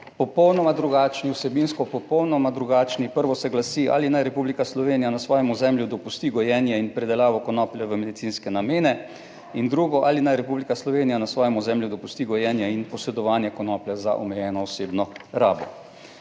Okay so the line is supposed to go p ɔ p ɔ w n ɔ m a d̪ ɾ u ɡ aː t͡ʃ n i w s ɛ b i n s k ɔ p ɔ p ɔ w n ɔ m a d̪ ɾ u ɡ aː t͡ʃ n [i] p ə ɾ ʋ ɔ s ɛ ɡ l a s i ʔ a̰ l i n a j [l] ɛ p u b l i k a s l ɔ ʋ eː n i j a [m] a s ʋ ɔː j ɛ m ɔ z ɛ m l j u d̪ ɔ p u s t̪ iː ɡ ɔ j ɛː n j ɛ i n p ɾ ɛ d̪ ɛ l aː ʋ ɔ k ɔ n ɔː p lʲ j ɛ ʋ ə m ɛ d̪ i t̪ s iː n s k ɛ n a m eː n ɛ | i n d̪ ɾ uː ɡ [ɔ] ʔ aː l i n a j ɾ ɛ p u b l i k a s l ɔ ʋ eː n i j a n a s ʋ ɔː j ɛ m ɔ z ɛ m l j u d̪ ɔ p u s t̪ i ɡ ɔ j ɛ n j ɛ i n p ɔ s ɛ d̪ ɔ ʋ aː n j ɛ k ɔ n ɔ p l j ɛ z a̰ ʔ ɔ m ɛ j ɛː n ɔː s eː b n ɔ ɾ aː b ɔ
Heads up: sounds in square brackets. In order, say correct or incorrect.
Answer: correct, incorrect: ɾ, incorrect: n, correct

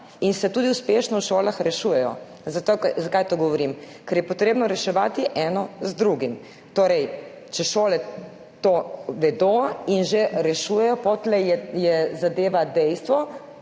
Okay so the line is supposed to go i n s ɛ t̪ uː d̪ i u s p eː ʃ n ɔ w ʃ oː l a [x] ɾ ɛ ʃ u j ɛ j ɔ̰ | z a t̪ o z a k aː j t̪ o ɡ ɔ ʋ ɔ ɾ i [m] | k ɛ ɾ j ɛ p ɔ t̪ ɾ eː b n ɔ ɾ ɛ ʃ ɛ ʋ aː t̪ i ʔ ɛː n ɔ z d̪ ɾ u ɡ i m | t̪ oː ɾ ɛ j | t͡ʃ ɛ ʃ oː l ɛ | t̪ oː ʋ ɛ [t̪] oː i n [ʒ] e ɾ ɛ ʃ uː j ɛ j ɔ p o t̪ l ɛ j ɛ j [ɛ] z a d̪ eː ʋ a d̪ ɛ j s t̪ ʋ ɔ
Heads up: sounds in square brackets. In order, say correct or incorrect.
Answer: correct, correct, incorrect: d̪, correct, correct

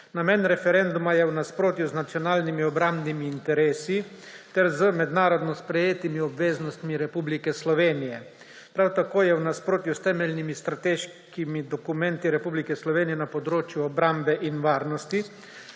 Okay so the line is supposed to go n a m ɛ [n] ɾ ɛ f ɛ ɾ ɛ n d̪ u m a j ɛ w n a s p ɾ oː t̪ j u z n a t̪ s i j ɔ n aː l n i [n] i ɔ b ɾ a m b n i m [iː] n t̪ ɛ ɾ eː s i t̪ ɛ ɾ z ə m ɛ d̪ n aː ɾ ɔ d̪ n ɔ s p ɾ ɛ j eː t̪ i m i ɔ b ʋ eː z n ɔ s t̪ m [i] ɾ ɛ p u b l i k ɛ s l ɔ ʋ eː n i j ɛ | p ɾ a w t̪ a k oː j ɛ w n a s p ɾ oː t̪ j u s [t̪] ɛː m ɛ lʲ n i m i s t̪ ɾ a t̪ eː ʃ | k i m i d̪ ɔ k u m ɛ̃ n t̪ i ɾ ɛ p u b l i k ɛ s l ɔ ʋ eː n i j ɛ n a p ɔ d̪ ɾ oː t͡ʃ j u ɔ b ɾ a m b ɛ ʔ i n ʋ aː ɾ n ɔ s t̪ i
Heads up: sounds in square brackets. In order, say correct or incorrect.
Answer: correct, incorrect: m, correct, correct, correct

